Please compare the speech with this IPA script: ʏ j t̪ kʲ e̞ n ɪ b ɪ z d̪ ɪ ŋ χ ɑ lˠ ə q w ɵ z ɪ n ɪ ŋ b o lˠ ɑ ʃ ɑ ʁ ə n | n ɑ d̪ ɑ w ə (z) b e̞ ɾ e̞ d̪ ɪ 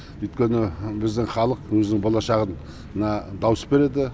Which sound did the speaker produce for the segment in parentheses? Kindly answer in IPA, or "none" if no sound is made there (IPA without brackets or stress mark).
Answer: s